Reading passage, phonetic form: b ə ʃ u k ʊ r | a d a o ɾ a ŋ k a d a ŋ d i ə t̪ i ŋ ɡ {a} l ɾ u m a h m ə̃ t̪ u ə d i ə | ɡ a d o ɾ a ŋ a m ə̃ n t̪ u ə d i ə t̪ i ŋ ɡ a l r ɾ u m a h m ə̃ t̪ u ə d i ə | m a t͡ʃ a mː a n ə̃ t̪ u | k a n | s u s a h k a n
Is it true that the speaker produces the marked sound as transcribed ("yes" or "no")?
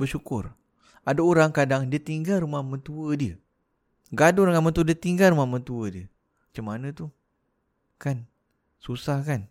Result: yes